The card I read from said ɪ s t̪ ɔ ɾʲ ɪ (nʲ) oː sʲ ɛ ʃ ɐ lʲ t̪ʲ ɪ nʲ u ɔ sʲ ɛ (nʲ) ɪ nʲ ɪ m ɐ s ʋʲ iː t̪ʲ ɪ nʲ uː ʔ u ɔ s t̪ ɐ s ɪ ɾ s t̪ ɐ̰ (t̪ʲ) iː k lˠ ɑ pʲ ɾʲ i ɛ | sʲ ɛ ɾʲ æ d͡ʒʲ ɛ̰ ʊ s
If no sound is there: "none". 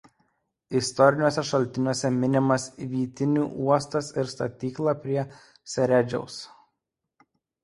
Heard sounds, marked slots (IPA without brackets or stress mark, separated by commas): nʲ, mʲ, t̪ʲ